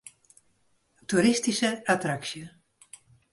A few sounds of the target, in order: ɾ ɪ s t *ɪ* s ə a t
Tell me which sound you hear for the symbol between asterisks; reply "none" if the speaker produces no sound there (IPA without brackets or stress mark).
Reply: i